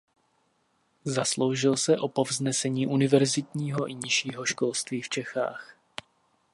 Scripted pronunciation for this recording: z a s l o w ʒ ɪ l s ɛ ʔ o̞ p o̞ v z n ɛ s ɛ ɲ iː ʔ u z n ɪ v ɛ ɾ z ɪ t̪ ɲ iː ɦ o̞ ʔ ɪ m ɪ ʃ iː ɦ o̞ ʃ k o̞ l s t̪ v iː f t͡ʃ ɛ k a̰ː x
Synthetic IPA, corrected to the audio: z a s l o w ʒ ɪ l s ɛ ʔ o̞ p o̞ v z n ɛ s ɛ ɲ iː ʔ u n ɪ v ɛ ɾ z ɪ t̪ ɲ iː ɦ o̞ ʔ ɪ ɲ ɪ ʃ iː ɦ o̞ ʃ k o̞ l s t̪ v iː f t͡ʃ ɛ x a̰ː x